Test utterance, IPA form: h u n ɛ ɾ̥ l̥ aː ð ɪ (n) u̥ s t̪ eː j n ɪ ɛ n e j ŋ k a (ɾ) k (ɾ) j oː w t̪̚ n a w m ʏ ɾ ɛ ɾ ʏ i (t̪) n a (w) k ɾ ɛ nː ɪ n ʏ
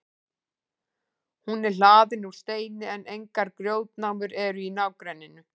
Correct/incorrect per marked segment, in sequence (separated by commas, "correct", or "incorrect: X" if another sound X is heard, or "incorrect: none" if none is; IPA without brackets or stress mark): correct, correct, correct, incorrect: none, correct